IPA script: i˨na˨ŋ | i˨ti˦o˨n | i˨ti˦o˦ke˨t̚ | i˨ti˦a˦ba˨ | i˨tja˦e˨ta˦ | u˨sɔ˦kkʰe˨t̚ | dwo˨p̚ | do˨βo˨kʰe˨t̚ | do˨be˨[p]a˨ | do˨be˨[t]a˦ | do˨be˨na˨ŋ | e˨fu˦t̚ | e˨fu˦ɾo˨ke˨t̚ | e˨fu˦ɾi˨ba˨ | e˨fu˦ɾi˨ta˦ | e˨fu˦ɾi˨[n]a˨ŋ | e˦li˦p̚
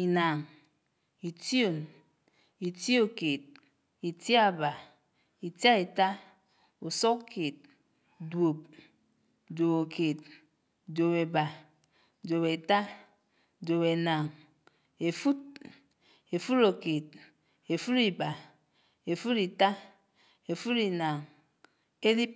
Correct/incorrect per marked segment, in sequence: incorrect: b, correct, correct

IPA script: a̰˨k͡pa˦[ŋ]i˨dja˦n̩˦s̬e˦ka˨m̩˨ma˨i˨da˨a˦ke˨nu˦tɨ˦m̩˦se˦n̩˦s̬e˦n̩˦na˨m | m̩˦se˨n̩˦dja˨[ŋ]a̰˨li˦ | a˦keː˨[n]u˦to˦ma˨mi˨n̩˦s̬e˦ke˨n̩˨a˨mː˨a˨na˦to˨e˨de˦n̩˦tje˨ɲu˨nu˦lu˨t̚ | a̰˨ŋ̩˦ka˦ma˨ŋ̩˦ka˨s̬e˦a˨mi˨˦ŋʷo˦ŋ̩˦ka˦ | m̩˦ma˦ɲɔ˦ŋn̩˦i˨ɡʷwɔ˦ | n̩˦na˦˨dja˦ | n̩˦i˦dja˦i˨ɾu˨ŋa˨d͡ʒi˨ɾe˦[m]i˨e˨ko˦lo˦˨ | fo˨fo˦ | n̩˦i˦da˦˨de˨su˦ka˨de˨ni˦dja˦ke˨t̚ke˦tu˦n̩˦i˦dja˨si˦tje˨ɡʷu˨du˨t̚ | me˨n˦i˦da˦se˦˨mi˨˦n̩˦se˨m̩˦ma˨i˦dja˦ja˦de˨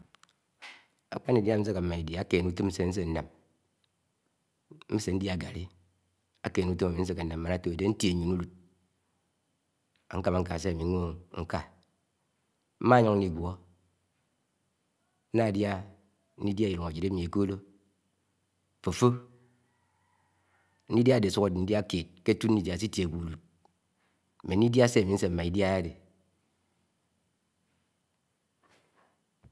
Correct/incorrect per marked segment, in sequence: incorrect: n, incorrect: ɡ, correct, correct

